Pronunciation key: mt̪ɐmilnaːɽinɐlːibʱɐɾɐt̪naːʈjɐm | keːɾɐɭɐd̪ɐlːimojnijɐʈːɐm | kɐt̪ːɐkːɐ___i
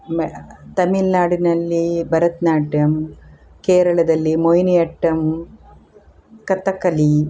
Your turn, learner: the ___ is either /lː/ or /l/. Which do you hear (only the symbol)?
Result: l